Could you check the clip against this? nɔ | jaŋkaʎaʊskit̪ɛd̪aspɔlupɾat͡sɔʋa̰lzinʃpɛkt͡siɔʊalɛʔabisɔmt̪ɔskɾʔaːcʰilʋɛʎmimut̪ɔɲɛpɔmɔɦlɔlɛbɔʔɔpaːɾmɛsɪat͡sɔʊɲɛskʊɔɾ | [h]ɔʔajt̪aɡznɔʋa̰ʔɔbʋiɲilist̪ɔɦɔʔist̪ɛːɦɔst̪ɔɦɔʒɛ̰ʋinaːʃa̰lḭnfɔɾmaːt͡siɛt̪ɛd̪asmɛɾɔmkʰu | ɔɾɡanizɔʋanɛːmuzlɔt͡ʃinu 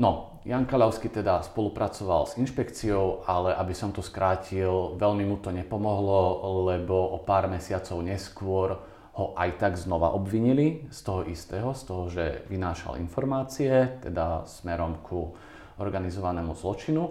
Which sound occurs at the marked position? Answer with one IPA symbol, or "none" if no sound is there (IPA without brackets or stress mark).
h